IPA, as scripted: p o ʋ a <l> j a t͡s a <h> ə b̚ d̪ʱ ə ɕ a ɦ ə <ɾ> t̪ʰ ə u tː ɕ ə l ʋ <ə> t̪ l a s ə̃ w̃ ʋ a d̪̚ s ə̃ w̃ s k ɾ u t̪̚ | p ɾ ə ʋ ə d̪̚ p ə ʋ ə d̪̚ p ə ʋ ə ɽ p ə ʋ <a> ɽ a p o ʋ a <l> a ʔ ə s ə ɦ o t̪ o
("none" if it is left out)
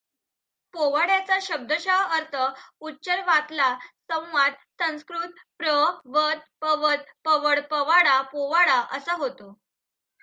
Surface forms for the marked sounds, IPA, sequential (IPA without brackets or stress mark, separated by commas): ɽ, ɕ, ɾ, a, a, ɽ